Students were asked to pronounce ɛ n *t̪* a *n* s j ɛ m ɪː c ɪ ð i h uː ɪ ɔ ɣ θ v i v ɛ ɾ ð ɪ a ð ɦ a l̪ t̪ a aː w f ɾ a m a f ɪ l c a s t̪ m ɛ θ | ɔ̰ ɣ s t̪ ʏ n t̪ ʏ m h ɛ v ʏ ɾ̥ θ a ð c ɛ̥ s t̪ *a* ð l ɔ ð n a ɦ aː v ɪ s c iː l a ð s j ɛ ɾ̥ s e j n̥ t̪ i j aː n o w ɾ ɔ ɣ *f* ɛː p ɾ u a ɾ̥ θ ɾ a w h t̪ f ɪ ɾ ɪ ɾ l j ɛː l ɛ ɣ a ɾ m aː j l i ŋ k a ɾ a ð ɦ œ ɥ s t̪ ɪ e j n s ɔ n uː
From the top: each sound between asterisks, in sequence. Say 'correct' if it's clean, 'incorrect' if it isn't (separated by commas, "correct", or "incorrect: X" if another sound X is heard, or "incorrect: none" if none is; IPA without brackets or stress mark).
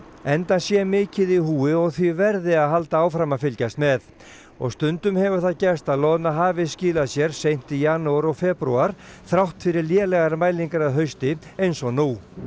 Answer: correct, correct, correct, correct